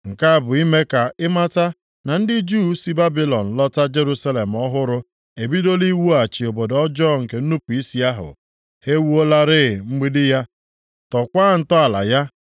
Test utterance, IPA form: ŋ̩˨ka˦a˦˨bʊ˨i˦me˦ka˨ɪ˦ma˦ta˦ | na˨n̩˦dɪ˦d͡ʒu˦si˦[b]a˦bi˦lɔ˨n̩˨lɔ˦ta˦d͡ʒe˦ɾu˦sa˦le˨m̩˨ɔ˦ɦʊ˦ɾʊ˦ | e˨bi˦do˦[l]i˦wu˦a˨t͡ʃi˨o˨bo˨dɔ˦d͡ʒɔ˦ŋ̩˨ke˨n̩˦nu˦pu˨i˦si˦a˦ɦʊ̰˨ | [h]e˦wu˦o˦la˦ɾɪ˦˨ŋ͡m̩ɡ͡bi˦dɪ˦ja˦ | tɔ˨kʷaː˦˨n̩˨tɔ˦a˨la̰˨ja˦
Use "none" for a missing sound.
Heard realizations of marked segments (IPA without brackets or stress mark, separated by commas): b, l, h